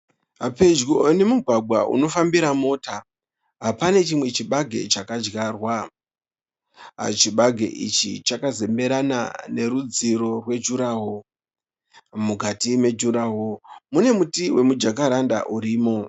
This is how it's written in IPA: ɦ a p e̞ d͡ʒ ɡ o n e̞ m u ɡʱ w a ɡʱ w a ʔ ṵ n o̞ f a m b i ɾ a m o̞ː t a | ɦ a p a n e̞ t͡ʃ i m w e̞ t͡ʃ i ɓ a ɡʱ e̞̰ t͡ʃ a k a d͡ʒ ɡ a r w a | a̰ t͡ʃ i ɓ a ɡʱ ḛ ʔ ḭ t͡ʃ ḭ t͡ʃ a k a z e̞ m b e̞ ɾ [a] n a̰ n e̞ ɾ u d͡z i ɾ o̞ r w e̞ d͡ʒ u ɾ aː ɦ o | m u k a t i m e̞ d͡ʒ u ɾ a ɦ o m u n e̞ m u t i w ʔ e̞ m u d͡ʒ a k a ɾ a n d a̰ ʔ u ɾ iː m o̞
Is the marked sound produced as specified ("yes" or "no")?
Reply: yes